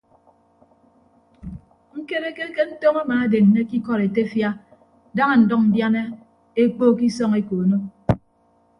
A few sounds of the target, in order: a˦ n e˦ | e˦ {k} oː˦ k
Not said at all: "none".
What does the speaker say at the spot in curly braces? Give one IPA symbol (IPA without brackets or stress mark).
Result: k͡p